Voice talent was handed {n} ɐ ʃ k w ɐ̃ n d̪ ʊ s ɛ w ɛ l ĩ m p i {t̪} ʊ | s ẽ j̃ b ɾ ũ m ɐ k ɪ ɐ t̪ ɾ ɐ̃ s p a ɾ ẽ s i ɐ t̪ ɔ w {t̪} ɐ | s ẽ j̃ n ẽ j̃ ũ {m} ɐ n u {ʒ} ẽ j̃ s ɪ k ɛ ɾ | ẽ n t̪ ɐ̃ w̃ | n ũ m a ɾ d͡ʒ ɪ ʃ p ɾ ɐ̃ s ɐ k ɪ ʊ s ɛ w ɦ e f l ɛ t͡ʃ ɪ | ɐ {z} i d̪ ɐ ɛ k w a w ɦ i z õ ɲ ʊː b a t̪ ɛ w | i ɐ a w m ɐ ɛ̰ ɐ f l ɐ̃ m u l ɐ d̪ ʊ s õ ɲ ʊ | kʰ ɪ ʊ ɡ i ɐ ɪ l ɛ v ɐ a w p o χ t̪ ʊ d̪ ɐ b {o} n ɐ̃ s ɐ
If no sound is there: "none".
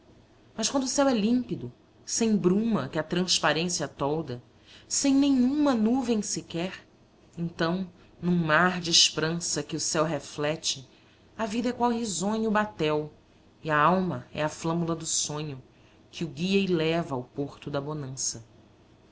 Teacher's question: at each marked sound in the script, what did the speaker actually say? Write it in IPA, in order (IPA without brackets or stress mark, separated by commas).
m, d̪, d̪, m, v, v, o